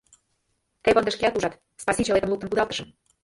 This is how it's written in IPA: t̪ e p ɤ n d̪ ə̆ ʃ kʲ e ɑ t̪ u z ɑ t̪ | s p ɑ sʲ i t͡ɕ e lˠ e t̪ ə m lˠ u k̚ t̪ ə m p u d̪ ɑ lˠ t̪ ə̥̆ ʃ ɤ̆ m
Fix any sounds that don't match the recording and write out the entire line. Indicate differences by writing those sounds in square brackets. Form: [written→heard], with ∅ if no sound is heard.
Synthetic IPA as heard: t̪ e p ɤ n d̪ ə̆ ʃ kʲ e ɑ t̪ u [z→ʒ] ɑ t̪ | s p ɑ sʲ i t͡ɕ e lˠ e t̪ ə m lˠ u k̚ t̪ ə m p u d̪ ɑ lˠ t̪ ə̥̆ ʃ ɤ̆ m